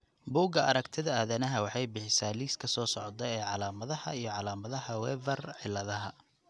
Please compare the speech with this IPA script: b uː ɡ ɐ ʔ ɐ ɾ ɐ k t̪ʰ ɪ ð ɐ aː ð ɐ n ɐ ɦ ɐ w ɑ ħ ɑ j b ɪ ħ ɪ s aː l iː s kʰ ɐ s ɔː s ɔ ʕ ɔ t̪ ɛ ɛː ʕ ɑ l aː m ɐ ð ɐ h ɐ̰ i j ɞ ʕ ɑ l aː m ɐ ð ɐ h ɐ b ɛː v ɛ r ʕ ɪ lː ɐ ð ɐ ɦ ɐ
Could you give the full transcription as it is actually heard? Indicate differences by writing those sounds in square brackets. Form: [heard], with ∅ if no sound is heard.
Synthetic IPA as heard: b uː ɡ ɐ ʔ ɐ ɾ ɐ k t̪ʰ ɪ ð ɐ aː ð ɐ n ɐ ɦ ɐ w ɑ ħ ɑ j b ɪ ħ ɪ s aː l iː s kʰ ɐ s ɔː s ɔ ʕ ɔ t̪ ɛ ɛː ʕ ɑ l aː m ɐ ð ɐ h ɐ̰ i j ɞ ʕ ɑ l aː m ɐ ð ɐ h ɐ [w] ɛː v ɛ r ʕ ɪ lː ɐ ð ɐ ɦ ɐ

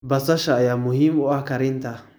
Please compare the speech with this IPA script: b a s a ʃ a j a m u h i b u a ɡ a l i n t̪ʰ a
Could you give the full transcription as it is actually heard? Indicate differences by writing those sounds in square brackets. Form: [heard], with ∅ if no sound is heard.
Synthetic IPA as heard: b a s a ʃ a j a m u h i [m] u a [k] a [ɾ] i n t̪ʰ a

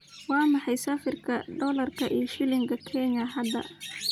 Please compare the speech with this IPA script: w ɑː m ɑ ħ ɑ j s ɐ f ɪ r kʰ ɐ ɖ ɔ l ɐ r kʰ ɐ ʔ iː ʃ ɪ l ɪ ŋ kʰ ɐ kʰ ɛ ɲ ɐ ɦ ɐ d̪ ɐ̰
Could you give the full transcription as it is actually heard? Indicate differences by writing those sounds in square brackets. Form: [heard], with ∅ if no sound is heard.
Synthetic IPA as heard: w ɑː m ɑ ħ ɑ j s ɐ f ɪ r kʰ ɐ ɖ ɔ l ɐ r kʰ ɐ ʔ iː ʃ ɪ l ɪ ŋ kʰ ɐ kʰ ɛ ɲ ɐ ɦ ɐ d̪ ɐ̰

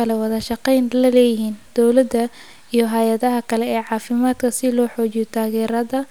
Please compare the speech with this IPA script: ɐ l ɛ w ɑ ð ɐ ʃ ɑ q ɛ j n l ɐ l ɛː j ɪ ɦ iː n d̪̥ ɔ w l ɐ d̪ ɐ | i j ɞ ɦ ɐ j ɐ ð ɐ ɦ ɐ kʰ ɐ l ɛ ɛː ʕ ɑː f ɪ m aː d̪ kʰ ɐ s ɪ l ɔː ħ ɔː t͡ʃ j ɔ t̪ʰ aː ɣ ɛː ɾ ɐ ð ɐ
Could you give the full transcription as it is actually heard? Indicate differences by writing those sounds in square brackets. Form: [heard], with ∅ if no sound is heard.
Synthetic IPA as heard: ɐ l ɛ w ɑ ð ɐ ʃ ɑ q ɛ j n l ɐ l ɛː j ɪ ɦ iː n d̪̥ ɔ w l ɐ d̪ ɐ | i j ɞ ɦ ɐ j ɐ ð ɐ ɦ ɐ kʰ ɐ l ɛ ɛː ʕ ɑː f ɪ m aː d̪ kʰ ɐ s ɪ l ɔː ħ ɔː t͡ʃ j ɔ t̪ʰ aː ɣ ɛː ɾ ɐ ð ɐ

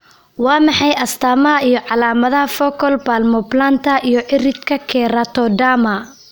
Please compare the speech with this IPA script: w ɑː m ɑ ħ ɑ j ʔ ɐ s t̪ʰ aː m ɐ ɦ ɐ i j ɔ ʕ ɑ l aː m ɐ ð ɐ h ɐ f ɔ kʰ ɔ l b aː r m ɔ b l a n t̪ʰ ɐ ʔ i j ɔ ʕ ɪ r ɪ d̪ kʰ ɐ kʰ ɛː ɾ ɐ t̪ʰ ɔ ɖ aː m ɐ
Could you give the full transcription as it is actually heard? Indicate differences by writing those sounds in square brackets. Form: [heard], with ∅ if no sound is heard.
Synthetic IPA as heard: w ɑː m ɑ ħ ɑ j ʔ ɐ s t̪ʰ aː m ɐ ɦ ɐ i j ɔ ʕ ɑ l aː m ɐ ð ɐ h ɐ f ɔ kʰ ɔ l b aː [l] m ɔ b l a n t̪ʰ ɐ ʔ i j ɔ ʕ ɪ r ɪ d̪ kʰ ɐ kʰ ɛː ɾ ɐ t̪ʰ ɔ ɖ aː m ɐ

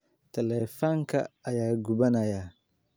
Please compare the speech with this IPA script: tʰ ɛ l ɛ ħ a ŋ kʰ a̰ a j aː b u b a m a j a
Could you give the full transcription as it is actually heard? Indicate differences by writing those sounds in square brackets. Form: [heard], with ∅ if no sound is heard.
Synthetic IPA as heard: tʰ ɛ l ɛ [f] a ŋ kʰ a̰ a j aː [ɡ] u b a [n] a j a

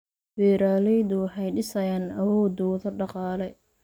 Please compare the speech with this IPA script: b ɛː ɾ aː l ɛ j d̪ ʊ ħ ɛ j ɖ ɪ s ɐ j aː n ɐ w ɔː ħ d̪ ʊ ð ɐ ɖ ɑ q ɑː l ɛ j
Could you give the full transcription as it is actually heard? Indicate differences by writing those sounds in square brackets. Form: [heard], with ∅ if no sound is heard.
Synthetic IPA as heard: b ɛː ɾ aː l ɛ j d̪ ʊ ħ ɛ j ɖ ɪ s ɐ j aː n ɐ w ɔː [∅] d̪ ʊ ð ɐ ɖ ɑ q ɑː l ɛ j

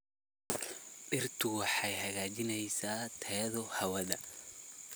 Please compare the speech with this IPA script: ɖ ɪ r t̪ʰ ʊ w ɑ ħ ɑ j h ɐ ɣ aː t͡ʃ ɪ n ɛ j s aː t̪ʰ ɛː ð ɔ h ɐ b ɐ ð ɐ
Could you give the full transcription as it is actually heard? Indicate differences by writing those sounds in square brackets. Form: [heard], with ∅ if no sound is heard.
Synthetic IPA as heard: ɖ ɪ r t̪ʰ ʊ w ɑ ħ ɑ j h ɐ ɣ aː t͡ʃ ɪ n ɛ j s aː t̪ʰ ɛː ð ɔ h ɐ [w] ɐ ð ɐ

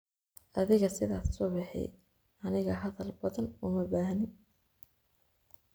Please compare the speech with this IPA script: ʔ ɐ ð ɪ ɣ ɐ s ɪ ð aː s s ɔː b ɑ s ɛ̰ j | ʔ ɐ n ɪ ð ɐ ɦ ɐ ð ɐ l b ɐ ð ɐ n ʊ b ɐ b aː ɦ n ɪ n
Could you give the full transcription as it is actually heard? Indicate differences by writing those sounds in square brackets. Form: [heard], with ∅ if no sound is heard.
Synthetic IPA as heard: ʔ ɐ ð ɪ ɣ ɐ s ɪ ð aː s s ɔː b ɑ [ħ] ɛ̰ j | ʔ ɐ n ɪ [ɣ] ɐ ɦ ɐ ð ɐ l b ɐ ð ɐ n ʊ [m] ɐ b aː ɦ n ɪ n

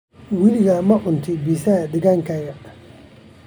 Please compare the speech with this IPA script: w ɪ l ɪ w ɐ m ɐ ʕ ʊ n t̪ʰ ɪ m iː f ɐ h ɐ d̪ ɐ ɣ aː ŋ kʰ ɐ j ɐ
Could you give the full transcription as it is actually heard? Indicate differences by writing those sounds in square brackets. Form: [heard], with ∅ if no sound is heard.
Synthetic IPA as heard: w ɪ l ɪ [ɣ] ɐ m ɐ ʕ ʊ n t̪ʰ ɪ [b] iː [s] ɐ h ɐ d̪ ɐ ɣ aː ŋ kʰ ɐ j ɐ

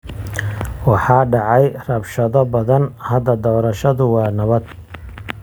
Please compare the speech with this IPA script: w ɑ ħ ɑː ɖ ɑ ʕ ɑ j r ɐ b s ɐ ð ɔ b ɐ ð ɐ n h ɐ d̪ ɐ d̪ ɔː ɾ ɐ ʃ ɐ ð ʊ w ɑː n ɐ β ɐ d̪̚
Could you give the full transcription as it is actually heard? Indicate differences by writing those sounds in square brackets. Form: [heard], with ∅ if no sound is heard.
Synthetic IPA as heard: w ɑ ħ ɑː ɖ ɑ ʕ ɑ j r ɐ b [ʃ] ɐ ð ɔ b ɐ ð ɐ n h ɐ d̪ ɐ d̪ ɔː ɾ ɐ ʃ ɐ ð ʊ w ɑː n ɐ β ɐ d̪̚

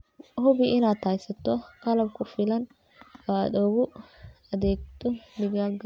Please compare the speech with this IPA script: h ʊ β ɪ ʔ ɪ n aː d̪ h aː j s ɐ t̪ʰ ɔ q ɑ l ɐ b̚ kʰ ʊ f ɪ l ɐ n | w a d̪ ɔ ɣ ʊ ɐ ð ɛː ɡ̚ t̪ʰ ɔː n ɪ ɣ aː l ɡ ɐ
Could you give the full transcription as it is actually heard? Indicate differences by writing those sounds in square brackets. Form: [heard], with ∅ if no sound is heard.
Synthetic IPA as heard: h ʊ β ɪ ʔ ɪ n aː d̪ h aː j s ɐ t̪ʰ ɔ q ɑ l ɐ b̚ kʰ ʊ f ɪ l ɐ n | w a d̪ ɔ ɣ ʊ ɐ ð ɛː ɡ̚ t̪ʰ [ɔ] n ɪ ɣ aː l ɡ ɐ

